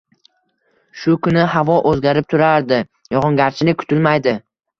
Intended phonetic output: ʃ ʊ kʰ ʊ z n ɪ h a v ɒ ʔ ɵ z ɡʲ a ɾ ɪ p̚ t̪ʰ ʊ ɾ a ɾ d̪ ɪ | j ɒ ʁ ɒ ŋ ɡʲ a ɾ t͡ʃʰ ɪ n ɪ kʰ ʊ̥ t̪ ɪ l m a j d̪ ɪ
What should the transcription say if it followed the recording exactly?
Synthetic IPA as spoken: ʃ ʊ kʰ ʊ n ɪ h a v ɒ ʔ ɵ z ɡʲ a ɾ ɪ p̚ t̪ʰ ʊ ɾ a ɾ d̪ ɪ | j ɒ ʁ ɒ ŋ ɡʲ a ɾ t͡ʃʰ ɪ n ɪ kʰ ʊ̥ t̪ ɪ l m a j d̪ ɪ